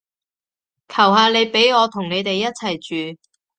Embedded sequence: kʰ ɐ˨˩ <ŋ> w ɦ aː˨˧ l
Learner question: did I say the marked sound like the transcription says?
no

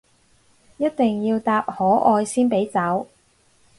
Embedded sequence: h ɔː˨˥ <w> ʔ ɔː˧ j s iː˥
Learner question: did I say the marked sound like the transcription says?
no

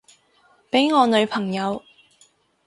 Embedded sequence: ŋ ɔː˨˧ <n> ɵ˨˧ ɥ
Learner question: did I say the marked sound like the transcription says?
yes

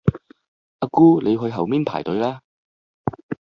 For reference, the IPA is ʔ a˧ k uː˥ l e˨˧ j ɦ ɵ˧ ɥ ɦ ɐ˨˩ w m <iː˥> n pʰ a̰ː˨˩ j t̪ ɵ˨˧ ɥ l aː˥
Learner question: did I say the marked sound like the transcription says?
yes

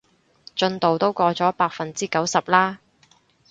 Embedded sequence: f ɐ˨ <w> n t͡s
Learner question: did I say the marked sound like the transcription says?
no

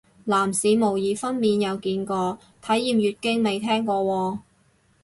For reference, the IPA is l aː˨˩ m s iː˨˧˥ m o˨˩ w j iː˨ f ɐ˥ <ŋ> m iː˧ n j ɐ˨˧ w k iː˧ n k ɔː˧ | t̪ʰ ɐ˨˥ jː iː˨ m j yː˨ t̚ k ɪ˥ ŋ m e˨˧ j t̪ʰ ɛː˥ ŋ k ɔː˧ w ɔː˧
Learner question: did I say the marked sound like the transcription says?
no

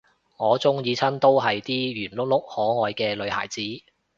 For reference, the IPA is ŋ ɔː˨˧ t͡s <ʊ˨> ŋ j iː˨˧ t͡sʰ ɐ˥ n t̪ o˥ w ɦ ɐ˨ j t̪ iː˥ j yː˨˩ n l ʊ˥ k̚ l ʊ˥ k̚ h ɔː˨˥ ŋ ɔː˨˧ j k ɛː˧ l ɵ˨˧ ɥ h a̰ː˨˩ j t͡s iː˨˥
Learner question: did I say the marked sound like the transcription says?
no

